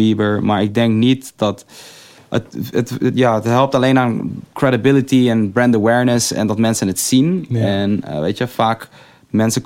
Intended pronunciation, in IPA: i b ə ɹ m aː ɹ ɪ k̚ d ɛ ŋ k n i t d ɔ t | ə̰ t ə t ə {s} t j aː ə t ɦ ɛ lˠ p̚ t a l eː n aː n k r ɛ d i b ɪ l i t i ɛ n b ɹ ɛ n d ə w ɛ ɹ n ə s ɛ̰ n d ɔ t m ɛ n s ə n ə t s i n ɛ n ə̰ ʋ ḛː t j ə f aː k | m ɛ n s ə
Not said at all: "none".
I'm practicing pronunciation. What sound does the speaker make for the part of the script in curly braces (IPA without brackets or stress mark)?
none